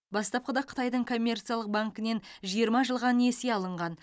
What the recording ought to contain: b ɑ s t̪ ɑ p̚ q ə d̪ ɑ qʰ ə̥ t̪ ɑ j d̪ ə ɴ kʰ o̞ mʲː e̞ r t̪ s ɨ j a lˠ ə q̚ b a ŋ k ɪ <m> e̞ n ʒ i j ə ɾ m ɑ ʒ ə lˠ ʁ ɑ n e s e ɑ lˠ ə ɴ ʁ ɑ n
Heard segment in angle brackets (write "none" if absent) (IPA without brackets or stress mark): n